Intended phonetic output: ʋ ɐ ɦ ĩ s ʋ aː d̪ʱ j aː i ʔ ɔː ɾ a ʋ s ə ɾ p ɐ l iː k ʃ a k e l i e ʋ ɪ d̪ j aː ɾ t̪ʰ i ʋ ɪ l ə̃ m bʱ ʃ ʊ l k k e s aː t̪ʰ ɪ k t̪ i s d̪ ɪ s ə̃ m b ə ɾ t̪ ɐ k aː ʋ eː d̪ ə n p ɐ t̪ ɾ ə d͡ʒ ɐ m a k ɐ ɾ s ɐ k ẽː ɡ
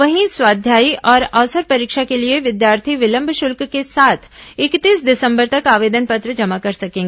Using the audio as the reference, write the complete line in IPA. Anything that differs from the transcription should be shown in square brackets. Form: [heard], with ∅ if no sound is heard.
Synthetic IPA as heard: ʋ ɐ ɦ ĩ s [w] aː d̪ʱ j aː i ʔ ɔː ɾ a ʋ s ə ɾ p ɐ [ɾ] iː k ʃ a k e l i e ʋ ɪ d̪ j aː ɾ t̪ʰ i ʋ ɪ l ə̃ m bʱ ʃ ʊ l k k e s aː t̪ʰ ɪ k t̪ [iː] s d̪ ɪ s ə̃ m b ə ɾ t̪ ɐ k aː ʋ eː d̪ ə n p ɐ t̪ ɾ ə d͡ʒ ɐ m a k ɐ ɾ s ɐ k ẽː ɡ